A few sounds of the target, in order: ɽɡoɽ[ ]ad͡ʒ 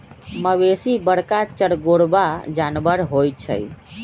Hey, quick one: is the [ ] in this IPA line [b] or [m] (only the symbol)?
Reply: b